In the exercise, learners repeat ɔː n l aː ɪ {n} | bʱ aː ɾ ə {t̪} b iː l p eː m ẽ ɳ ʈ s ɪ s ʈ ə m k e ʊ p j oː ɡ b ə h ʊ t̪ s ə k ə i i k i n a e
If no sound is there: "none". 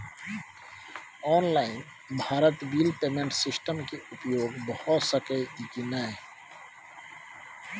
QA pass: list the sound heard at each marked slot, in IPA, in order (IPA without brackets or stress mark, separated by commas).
n, t̪